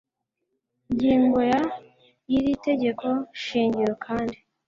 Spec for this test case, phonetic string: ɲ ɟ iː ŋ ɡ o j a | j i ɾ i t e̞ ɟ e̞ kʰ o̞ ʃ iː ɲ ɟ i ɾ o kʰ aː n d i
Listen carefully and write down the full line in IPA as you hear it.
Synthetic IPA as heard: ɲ ɟ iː ŋ ɡ o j a | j i ɾ i t e̞ ɟ e̞ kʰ o̞ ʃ iː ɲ ɟ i ɾ o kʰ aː n d i